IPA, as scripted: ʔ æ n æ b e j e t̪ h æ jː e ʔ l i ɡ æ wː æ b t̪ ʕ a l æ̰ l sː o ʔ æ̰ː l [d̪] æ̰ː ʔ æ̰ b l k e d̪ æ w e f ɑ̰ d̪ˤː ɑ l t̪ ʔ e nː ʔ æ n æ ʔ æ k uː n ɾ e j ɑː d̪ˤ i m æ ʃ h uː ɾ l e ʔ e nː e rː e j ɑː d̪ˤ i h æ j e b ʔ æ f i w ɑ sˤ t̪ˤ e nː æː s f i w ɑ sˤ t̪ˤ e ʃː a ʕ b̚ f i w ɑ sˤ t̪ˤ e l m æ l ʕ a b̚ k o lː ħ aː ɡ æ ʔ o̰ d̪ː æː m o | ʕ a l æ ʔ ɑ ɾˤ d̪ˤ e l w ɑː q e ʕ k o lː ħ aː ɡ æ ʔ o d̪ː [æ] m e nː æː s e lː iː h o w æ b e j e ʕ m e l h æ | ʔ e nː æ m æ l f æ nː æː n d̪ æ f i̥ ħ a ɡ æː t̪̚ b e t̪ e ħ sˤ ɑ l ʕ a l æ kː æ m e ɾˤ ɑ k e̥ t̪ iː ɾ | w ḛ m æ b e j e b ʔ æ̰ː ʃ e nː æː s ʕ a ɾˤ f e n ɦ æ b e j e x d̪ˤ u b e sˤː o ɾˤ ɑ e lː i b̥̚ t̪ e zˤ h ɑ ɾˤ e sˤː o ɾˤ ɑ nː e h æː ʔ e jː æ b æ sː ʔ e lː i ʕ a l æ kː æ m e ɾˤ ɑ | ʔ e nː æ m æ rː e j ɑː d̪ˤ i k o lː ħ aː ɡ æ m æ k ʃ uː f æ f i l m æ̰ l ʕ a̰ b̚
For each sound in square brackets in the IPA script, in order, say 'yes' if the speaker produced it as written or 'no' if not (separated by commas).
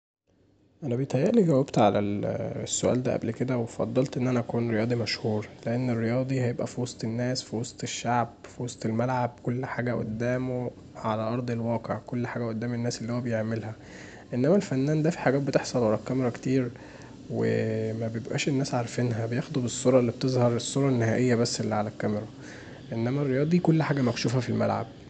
yes, no